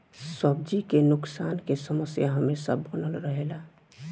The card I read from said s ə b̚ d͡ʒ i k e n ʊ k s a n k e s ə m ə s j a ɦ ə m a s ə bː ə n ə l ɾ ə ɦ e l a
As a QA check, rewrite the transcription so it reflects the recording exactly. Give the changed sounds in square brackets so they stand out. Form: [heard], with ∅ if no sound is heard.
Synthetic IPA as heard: s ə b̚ d͡ʒ i k e n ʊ k s a n k e s ə m ə s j a ɦ ə m [e] s ə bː ə n ə l ɾ ə ɦ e l a